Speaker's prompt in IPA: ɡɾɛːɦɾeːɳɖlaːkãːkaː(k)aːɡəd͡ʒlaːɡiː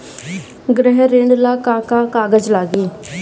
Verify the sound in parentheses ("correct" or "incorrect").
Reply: correct